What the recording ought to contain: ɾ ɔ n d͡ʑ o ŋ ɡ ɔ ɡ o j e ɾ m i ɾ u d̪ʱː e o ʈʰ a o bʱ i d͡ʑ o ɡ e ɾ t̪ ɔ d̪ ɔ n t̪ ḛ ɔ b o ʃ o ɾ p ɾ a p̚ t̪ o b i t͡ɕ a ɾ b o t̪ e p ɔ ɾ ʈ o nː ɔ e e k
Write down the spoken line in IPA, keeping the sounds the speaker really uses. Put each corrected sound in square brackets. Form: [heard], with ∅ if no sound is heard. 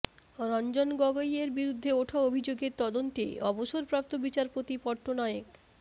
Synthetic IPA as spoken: ɾ ɔ n d͡ʑ o [n] ɡ ɔ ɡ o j e ɾ [b] i ɾ u d̪ʱː e o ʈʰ a o bʱ i d͡ʑ o ɡ e ɾ t̪ ɔ d̪ [o] n t̪ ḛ ɔ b o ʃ o ɾ p ɾ a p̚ t̪ o b i t͡ɕ a ɾ [p] o t̪ [i] p ɔ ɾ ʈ o [n] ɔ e e k